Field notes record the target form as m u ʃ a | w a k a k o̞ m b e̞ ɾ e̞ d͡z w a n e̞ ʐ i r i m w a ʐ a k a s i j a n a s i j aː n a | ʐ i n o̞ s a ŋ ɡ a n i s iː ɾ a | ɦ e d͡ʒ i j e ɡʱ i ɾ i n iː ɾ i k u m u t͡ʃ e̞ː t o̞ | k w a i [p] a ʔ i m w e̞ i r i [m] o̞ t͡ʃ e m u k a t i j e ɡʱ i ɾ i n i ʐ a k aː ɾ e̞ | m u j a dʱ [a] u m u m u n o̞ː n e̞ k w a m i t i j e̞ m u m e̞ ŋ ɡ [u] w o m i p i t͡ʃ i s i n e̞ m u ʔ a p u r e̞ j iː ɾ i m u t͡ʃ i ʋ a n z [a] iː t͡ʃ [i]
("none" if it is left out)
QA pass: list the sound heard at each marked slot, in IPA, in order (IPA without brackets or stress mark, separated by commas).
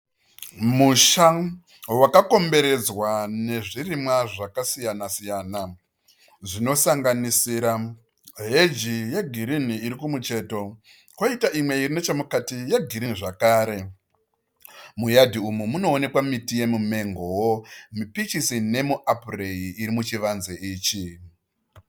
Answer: t, n, i, o, e, i